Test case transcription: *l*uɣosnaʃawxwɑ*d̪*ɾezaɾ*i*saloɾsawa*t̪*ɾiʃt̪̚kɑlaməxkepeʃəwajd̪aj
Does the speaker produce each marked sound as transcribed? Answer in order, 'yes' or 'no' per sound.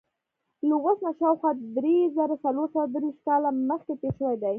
yes, yes, no, no

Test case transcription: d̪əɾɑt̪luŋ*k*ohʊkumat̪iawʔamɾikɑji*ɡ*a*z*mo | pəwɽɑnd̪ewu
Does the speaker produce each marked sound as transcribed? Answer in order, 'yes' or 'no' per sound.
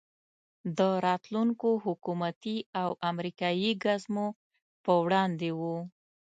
yes, yes, yes

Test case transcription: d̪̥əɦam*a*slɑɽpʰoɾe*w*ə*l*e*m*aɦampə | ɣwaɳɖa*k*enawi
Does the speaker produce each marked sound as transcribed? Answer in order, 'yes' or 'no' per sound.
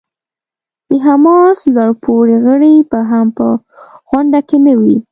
no, no, no, no, yes

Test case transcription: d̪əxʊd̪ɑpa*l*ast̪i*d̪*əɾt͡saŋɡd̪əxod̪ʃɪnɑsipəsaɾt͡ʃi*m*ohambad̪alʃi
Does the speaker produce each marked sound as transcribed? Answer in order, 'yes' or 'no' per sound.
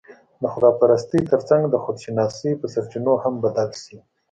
no, no, no

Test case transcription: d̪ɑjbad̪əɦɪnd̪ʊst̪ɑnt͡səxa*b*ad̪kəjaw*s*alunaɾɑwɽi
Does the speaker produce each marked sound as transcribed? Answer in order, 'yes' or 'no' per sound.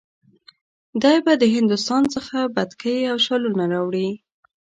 yes, no

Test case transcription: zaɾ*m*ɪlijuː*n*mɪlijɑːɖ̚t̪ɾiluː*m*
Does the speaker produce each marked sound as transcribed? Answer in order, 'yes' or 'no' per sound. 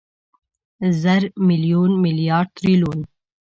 yes, yes, no

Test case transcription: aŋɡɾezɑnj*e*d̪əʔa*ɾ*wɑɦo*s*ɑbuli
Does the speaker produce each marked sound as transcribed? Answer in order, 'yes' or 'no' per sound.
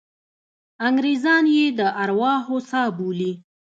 yes, yes, yes

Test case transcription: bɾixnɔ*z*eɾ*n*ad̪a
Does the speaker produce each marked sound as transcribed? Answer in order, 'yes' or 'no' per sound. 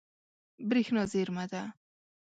yes, no

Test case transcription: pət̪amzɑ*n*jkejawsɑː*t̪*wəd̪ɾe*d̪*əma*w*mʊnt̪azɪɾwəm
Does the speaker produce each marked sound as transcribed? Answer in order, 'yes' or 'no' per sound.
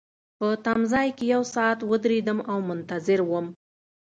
no, yes, yes, yes

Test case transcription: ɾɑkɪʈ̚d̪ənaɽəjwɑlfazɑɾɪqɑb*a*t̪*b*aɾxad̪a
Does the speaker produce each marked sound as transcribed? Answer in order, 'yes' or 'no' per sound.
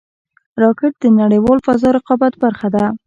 yes, yes

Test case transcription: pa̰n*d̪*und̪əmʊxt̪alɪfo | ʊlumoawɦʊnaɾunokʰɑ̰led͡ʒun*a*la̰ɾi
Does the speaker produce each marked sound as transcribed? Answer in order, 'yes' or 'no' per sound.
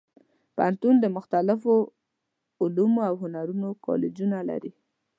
no, yes

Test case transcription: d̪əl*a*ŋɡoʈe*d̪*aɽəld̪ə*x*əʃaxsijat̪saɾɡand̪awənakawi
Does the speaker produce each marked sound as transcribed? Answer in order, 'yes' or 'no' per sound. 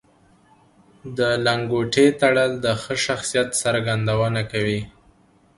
yes, no, yes

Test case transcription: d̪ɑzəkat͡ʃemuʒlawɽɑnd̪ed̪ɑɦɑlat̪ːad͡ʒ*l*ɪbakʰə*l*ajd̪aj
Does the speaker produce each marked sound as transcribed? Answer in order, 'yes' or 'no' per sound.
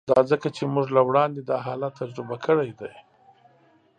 no, no

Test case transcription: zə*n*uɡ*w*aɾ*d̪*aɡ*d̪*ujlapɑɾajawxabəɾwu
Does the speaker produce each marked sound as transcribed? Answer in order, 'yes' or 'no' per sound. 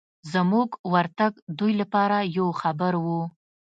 no, yes, no, yes

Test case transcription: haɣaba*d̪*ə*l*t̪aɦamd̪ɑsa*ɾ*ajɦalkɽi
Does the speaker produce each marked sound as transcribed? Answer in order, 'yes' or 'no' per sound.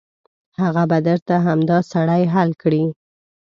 yes, no, no

